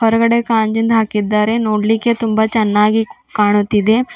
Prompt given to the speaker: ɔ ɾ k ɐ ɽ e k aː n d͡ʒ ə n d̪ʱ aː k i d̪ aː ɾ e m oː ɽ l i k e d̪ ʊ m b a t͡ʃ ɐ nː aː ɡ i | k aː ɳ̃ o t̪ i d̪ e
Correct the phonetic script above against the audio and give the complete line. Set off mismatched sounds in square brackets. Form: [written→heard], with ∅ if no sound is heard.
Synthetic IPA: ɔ ɾ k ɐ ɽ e k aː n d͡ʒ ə n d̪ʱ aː k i d̪ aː ɾ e [m→n] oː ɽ l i k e [d̪→t̪] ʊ m b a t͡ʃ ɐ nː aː ɡ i | k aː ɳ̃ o t̪ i d̪ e